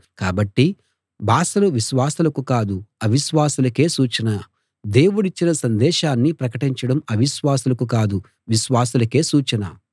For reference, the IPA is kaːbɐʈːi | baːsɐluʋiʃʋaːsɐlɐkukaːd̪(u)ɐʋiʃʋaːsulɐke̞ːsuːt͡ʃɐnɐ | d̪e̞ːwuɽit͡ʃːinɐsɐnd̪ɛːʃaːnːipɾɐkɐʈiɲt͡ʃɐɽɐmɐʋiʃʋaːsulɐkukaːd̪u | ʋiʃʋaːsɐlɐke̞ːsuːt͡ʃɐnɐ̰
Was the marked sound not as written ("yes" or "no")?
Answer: no